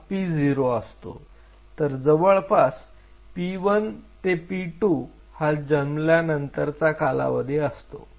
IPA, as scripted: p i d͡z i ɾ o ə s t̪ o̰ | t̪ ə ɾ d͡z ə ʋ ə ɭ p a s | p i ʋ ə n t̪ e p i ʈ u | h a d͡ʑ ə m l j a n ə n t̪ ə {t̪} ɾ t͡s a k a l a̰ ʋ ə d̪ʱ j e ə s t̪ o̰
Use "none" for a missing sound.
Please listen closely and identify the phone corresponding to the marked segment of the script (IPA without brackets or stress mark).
none